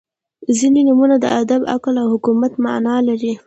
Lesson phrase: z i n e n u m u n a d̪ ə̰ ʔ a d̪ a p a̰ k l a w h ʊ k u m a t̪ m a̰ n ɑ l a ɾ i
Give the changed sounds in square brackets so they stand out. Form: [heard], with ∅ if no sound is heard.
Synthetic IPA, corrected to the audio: z i n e n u m u n a d̪ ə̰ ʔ a d̪ a [b] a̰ k l a w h ʊ k u m a t̪ m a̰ n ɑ l a ɾ i